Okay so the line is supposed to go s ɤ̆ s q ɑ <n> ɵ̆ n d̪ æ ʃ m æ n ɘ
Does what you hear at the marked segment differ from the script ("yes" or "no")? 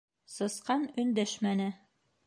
no